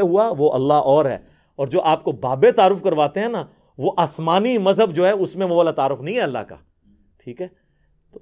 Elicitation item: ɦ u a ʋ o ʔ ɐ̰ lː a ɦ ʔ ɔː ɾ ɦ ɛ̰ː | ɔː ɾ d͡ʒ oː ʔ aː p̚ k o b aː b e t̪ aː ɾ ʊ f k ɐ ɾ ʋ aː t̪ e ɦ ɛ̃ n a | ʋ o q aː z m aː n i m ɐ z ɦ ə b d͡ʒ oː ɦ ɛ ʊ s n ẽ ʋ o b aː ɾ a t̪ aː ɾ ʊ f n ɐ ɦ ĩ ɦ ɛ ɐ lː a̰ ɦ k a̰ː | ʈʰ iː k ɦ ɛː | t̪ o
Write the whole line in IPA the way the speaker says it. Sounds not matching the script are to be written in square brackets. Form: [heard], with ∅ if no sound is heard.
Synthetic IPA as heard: ɦ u a ʋ o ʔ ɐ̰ lː a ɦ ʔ ɔː ɾ ɦ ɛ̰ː | ɔː ɾ d͡ʒ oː ʔ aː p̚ k o b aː b e t̪ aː ɾ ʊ f k ɐ ɾ ʋ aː t̪ e ɦ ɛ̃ n a | ʋ o [ʔ] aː [s] m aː n i m ɐ z ɦ ə b d͡ʒ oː ɦ ɛ ʊ s [m] ẽ ʋ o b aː [l] a t̪ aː ɾ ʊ f n ɐ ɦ ĩ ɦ ɛ ɐ lː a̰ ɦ k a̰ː | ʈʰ iː k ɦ ɛː | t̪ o